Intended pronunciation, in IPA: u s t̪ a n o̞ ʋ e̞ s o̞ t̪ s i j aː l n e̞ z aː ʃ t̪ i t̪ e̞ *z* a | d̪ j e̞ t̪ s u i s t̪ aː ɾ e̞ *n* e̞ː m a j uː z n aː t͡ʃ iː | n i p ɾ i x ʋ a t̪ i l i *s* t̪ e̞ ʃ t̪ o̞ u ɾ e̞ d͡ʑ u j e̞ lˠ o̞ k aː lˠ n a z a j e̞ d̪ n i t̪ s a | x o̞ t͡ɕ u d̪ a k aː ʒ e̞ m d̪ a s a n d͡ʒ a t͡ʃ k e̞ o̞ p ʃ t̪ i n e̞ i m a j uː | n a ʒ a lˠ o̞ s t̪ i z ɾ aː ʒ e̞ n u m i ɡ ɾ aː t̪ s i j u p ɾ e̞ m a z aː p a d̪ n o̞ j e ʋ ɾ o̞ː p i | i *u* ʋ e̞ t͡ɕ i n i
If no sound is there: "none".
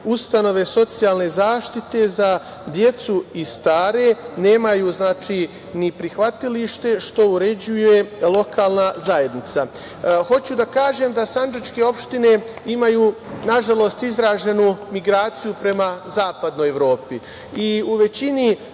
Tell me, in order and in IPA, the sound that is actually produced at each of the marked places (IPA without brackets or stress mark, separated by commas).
z, n, ʃ, u